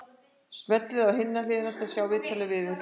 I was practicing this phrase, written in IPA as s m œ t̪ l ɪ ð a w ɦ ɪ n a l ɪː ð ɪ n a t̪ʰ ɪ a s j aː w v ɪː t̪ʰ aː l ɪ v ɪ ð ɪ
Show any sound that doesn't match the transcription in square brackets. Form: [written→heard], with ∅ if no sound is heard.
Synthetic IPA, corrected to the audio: s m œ t̪ l ɪ ð a w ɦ ɪ [n→nː] a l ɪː ð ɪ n a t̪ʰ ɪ a s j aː w v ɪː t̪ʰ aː l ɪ v ɪ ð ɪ